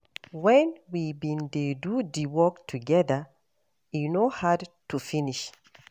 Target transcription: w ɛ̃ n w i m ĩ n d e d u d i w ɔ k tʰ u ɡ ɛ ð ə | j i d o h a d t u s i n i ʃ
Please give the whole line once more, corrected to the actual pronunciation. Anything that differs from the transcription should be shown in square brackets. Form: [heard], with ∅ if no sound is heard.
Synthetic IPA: w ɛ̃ n w i [b] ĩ n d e d u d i w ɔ k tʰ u ɡ ɛ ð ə | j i [n] o h a d t u [f] i n i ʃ